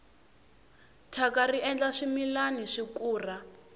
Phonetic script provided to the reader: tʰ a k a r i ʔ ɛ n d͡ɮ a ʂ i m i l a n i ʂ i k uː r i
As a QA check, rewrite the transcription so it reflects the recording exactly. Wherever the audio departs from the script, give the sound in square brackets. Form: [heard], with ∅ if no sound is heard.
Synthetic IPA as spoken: tʰ a k a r i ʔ ɛ n d͡ɮ a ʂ i m i l a n i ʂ i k uː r [a]